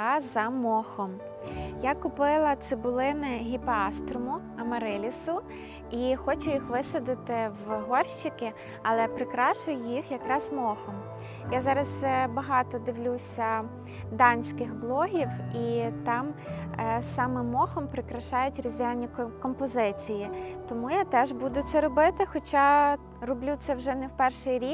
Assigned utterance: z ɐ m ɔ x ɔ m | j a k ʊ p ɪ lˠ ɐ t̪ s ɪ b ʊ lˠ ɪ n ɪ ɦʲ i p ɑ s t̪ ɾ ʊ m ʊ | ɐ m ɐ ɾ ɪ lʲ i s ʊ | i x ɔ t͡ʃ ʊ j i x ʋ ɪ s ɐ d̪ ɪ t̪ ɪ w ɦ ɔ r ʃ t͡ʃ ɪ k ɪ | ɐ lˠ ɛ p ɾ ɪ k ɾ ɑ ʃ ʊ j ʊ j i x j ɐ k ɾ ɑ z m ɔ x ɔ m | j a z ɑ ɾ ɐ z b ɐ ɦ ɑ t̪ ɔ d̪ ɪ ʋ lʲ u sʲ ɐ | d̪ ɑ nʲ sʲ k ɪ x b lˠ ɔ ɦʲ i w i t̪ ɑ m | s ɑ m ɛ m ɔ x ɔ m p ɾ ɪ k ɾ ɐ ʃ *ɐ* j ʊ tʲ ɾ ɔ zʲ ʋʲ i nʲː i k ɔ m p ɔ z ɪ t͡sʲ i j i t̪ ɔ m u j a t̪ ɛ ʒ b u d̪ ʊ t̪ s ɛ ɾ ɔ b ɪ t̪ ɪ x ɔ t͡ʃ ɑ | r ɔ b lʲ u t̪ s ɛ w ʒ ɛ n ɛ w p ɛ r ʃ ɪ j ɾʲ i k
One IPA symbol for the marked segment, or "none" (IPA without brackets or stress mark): ɑ